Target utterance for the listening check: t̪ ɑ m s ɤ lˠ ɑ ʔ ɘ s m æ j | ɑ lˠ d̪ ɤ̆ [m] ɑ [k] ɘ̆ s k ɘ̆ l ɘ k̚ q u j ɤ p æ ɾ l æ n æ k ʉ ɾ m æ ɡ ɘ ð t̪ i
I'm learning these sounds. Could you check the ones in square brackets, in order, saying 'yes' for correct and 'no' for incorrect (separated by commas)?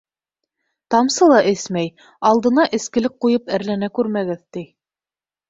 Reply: no, no